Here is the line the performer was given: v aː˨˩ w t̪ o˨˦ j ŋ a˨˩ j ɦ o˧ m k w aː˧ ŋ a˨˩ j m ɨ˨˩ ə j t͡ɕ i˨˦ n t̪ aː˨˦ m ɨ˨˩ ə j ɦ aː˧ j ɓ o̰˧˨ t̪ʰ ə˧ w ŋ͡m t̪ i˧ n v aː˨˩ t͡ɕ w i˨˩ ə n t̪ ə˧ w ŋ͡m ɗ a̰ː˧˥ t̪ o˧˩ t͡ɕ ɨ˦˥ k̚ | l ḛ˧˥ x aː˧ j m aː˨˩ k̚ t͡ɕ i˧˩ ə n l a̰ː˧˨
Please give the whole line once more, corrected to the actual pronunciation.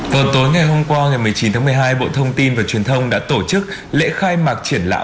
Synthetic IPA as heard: v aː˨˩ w t̪ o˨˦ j ŋ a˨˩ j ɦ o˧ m k w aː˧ ŋ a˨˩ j m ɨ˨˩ ə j t͡ɕ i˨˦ n t̪ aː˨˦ m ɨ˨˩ ə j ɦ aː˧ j ɓ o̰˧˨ t̪ʰ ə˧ w ŋ͡m t̪ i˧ n v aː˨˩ t͡ɕ w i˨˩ ə n t̪ʰ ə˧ w ŋ͡m ɗ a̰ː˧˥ t̪ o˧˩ t͡ɕ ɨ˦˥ k̚ | l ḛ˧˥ x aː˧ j m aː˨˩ k̚ t͡ɕ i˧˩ ə n l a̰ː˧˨